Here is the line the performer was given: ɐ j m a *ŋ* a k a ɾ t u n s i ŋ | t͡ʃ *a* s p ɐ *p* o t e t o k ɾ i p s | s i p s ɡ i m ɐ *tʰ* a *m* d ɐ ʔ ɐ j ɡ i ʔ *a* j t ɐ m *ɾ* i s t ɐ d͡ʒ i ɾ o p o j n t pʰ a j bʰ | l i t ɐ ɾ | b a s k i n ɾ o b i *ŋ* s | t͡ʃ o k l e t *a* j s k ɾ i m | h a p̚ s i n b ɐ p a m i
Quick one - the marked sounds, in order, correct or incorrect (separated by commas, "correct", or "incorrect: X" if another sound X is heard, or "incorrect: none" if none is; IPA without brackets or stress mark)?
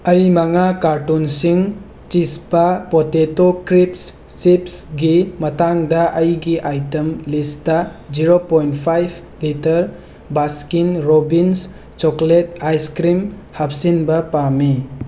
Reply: correct, incorrect: i, correct, incorrect: t, incorrect: ŋ, correct, incorrect: l, incorrect: n, correct